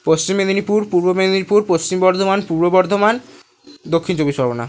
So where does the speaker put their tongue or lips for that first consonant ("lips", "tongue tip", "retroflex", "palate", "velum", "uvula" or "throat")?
lips